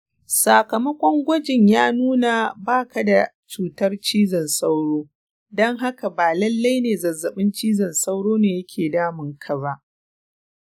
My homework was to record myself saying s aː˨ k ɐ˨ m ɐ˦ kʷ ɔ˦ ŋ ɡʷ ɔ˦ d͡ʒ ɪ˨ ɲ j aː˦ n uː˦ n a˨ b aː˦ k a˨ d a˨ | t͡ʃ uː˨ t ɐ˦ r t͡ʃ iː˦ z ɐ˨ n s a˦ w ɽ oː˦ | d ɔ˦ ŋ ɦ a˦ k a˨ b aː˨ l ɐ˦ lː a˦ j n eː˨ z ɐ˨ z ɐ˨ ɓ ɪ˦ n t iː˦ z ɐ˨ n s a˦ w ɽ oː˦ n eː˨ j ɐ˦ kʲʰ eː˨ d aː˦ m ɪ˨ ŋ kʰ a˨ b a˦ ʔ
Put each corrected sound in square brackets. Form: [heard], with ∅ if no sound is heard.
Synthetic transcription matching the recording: s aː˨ k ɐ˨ m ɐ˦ kʷ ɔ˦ ŋ ɡʷ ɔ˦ d͡ʒ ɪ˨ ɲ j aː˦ n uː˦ n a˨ b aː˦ k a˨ d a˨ | t͡ʃ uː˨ t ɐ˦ r t͡ʃ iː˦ z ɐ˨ n s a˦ w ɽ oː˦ | d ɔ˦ ŋ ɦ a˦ k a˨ b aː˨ l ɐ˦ lː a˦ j n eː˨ z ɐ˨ z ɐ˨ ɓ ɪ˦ n [t͡ʃ] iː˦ z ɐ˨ n s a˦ w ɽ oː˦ n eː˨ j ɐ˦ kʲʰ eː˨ d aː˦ m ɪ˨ ŋ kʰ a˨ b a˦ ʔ

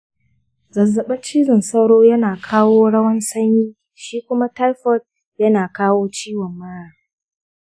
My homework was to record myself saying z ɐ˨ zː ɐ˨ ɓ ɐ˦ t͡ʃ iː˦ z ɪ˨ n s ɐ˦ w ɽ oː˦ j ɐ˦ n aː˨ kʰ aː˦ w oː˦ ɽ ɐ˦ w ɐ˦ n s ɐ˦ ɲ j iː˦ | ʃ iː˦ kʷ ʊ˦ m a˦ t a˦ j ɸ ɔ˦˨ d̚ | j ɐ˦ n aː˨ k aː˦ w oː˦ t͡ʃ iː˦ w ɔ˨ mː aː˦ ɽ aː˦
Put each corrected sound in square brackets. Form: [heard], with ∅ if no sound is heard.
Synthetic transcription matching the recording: z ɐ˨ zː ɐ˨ ɓ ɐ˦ t͡ʃ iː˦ z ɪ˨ n s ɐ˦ w ɽ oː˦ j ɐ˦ n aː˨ kʰ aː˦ w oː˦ ɽ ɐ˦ w ɐ˦ n s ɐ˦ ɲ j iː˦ | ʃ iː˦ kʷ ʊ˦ m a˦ t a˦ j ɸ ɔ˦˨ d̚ | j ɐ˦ n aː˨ k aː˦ w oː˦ t͡ʃ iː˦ w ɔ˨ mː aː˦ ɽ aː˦

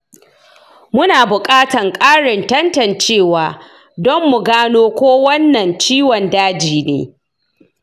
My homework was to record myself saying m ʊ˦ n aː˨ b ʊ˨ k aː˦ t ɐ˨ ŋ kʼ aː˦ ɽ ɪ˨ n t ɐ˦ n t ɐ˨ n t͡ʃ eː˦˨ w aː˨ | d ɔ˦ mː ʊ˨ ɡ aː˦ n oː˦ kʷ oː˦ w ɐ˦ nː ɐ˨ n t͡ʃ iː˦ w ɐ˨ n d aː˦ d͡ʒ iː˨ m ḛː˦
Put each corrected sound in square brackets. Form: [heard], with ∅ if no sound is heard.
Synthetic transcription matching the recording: m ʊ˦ n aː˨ b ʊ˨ [kʼ] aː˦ t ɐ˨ ŋ kʼ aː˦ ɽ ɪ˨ n t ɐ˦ n t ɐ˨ n t͡ʃ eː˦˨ w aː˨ | d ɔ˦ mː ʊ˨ ɡ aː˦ n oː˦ kʷ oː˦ w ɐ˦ nː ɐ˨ n t͡ʃ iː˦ w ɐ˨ n d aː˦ d͡ʒ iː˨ [n] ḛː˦

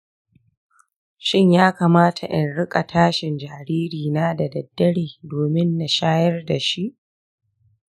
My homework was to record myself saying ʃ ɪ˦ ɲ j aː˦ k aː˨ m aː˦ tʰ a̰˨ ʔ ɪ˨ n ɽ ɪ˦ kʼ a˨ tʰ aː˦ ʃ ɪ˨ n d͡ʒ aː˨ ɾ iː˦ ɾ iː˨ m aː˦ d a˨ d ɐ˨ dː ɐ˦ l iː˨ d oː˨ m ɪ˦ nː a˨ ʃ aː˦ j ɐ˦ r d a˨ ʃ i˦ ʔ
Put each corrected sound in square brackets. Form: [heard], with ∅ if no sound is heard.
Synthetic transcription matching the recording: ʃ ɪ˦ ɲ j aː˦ k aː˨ m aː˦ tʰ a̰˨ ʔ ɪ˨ n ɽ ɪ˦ kʼ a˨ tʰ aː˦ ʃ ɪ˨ n d͡ʒ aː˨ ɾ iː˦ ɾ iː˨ [n] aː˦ d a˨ d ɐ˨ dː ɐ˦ [ɽ] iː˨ d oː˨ m ɪ˦ nː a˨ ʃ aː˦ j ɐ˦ r d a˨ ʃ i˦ ʔ

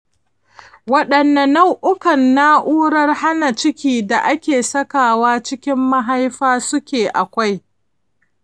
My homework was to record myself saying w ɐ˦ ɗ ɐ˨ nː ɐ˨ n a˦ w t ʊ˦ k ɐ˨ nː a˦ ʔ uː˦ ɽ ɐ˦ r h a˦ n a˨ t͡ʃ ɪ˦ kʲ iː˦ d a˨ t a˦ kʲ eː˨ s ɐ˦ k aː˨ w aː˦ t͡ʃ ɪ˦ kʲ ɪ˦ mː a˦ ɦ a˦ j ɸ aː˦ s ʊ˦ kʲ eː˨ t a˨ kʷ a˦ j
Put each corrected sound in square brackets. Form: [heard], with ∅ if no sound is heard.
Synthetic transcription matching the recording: w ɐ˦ ɗ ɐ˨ nː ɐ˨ n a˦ w [ʔ] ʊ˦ k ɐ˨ nː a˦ ʔ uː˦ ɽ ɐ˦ r h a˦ n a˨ t͡ʃ ɪ˦ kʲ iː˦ d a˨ [ʔ] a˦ kʲ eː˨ s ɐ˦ k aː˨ w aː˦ t͡ʃ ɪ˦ kʲ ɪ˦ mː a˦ ɦ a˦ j ɸ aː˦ s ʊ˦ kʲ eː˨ [ʔ] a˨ kʷ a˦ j

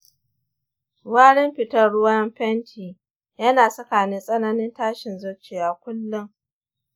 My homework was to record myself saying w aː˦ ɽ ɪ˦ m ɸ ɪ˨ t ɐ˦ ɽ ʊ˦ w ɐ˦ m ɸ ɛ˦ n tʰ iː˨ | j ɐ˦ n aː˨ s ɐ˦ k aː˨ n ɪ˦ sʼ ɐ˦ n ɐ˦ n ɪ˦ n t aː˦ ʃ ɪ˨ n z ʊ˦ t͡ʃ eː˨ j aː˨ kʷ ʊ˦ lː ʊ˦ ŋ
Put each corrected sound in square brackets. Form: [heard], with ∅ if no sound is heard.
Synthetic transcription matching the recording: w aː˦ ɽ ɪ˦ m ɸ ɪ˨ t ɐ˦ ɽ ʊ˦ w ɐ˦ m ɸ ɛ˦ n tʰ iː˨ | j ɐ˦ n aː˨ s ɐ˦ k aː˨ n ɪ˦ sʼ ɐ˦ n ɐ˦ n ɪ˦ n t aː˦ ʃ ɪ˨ n z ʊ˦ t͡ʃ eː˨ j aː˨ kʷ ʊ˦ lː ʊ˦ ŋ

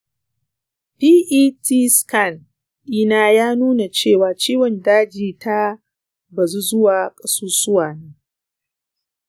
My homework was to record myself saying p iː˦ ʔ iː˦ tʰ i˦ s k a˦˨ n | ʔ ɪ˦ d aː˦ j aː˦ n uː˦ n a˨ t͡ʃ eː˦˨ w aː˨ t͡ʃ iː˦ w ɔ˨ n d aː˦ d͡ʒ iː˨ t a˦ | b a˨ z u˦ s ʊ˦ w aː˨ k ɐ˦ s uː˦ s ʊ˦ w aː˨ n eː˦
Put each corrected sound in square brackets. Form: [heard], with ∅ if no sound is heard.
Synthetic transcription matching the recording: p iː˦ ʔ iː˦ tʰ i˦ s k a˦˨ n | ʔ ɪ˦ [n] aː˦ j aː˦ n uː˦ n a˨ t͡ʃ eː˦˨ w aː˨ t͡ʃ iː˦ w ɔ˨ n d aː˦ d͡ʒ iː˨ t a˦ | b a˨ z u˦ [z] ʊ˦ w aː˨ [kʼ] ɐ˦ s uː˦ s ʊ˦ w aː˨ n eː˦

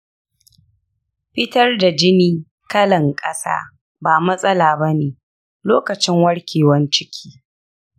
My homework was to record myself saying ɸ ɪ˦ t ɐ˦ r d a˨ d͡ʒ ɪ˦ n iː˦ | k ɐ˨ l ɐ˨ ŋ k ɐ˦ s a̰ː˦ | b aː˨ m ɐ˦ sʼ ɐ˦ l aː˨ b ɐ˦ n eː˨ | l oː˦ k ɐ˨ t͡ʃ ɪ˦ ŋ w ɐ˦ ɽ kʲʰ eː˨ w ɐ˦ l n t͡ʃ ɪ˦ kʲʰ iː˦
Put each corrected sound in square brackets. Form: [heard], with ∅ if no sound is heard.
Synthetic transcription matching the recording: ɸ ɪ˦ t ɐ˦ r d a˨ d͡ʒ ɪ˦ n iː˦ | k [ɐ˦] l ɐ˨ ŋ [kʼ] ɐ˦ s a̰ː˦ | b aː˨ m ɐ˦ sʼ ɐ˦ l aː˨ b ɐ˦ n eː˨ | l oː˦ k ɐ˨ t͡ʃ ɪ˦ ŋ w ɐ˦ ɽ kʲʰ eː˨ w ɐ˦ [∅] n t͡ʃ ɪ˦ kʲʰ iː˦

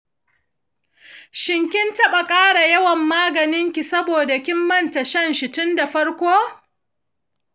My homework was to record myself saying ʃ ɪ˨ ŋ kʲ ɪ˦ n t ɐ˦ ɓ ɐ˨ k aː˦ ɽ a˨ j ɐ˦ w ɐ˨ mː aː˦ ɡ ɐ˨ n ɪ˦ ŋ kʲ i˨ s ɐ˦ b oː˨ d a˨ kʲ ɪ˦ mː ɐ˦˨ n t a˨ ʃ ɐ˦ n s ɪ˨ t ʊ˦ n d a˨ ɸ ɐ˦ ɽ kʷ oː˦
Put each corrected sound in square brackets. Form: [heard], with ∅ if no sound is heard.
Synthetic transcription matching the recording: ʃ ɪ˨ ŋ kʲ ɪ˦ n t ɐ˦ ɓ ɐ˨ [kʼ] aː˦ ɽ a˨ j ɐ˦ w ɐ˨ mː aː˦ ɡ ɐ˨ n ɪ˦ ŋ kʲ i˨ s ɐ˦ b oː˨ d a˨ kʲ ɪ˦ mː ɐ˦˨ n t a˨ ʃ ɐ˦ n [ʃ] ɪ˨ t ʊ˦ n d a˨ ɸ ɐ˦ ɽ kʷ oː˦

